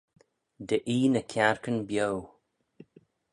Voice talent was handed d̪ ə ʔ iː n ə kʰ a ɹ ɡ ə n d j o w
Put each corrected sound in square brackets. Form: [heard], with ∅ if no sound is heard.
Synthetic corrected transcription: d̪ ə ʔ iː n ə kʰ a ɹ [k] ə n [b] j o w